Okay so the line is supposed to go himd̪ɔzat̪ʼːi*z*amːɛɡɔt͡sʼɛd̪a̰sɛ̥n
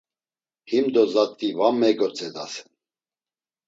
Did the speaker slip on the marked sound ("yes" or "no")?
yes